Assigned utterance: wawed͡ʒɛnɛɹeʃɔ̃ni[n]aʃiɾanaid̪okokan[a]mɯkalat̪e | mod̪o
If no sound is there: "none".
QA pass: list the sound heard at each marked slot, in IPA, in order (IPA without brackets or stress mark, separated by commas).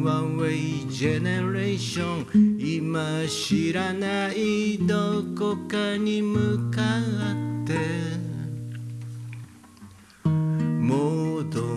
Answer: m, i